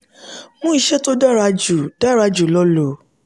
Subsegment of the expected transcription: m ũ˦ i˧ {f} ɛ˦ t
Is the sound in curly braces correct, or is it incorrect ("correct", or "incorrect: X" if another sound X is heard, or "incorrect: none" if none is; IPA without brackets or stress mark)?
incorrect: ʃ